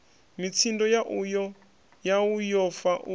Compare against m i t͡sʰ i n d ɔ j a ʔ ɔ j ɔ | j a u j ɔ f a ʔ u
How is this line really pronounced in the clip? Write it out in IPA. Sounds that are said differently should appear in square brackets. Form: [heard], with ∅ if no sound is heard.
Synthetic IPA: m i t͡sʰ i n d ɔ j a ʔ [u] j ɔ | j a u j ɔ f a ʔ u